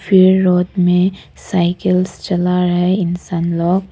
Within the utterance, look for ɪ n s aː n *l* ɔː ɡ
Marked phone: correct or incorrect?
correct